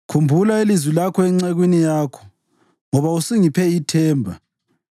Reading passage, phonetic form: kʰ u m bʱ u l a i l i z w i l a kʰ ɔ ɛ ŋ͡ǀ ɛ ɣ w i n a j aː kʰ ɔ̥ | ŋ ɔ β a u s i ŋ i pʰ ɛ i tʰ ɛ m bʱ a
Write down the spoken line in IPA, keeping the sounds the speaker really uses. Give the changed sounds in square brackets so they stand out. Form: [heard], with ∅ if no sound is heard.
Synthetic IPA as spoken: kʰ u m bʱ u l a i l i z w i l a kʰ ɔ ɛ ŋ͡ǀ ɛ ɣ w i n [i] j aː kʰ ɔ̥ | ŋ ɔ β a u s i ŋ i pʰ ɛ i tʰ [ɛː] m bʱ a